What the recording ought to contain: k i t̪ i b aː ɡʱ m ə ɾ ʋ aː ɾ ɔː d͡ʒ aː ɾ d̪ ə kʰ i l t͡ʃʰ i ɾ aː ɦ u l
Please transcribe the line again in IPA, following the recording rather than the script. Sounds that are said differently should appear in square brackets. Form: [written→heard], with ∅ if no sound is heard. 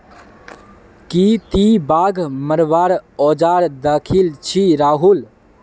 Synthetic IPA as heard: k i t̪ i b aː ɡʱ m ə ɾ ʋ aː ɾ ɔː d͡ʒ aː ɾ d̪ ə kʰ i l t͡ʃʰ i ɾ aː ɦ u l